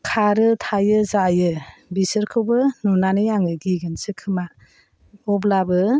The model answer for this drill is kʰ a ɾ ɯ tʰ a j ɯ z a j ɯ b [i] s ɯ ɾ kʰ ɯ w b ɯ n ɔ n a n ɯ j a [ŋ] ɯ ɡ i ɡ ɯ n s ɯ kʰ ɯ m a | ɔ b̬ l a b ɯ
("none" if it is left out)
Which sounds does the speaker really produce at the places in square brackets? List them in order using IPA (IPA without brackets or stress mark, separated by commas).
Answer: i, ŋ